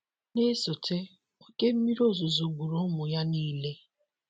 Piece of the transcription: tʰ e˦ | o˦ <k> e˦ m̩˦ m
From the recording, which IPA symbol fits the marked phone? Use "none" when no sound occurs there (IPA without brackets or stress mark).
k